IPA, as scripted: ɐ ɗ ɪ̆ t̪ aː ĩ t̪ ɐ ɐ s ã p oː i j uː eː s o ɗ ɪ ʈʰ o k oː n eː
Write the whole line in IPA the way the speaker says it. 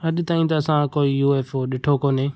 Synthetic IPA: ɐ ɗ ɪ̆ t̪ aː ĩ t̪ ɐ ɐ s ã k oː i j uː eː f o ɗ ɪ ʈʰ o k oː n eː